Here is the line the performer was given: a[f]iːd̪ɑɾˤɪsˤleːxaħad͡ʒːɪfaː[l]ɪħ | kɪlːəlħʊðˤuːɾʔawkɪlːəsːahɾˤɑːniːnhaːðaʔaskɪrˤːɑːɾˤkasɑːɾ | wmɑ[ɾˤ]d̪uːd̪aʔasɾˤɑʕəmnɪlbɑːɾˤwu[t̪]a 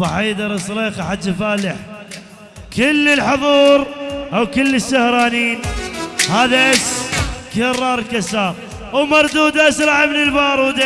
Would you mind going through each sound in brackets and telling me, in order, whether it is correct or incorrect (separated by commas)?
incorrect, correct, correct, incorrect